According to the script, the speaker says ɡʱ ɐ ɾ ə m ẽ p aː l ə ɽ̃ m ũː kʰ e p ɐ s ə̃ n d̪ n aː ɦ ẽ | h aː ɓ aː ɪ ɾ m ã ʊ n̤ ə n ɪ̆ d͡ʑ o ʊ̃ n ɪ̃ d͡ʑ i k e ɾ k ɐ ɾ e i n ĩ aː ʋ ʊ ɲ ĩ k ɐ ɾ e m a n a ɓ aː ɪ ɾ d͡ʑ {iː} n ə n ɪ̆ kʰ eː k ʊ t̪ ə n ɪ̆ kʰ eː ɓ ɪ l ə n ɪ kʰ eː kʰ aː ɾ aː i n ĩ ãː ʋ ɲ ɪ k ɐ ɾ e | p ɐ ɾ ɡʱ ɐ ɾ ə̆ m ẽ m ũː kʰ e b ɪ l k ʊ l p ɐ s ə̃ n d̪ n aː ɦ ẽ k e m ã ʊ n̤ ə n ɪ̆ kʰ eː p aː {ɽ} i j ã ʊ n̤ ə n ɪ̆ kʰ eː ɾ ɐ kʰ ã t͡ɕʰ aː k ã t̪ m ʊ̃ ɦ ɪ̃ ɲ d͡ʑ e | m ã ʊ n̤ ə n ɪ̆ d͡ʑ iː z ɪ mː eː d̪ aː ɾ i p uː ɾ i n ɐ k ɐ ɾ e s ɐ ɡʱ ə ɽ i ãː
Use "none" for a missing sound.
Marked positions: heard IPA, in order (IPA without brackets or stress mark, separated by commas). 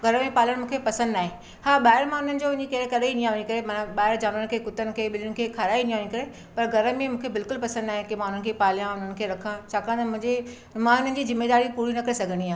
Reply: aː, l